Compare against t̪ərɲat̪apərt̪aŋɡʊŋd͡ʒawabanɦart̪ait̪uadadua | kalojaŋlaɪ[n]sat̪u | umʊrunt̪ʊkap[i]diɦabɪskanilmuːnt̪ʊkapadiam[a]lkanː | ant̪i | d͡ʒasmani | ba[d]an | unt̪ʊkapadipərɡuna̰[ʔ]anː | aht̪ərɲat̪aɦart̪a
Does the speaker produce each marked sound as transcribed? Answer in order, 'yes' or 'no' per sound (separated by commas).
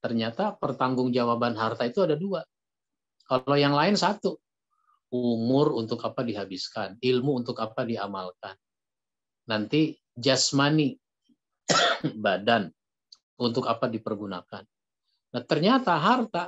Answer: yes, no, yes, yes, no